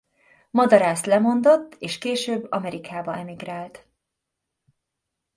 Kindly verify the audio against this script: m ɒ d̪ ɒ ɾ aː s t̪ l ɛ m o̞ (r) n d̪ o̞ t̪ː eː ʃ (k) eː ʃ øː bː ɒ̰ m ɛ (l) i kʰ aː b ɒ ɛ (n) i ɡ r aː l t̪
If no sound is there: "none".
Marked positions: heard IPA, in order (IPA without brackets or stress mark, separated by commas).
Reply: none, k, ɾ, m